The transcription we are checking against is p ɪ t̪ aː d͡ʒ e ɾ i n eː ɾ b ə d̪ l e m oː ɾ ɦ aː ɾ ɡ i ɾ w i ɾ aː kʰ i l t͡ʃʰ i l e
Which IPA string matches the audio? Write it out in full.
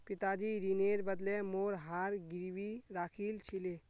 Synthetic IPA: p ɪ t̪ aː d͡ʒ i ɾ i n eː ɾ b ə d̪ l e m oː ɾ ɦ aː ɾ ɡ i ɾ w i ɾ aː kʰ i l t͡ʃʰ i l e

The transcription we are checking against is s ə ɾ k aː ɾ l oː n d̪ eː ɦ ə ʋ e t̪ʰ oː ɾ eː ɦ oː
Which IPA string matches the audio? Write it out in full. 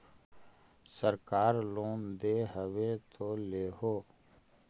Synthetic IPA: s ə ɾ k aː ɾ l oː n d̪ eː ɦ ə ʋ e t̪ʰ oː l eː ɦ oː

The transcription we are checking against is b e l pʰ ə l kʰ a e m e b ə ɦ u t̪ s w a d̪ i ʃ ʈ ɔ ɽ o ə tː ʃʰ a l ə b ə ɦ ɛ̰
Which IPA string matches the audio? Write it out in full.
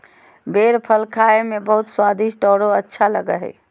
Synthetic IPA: b e ɾ pʰ ə l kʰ a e m e b ə ɦ u t̪ s w a d̪ i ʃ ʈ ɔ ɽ o ə tː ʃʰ a l ə ɡ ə ɦ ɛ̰

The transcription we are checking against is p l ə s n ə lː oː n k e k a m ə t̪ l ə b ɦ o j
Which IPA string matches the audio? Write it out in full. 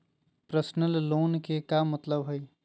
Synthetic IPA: p ɾ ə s n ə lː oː n k e k a m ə t̪ l ə b ɦ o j

